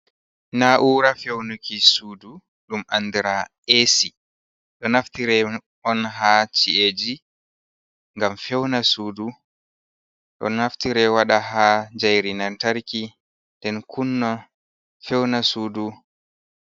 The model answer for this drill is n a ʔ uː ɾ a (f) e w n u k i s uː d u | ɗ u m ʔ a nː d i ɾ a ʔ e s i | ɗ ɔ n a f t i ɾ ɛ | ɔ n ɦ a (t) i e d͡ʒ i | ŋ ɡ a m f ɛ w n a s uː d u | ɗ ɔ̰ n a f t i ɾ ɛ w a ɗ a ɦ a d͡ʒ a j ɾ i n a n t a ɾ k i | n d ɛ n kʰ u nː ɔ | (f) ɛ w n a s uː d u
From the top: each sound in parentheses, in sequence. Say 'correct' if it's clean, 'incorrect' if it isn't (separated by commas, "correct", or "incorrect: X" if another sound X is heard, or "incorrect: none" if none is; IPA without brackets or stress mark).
correct, incorrect: t͡ʃ, correct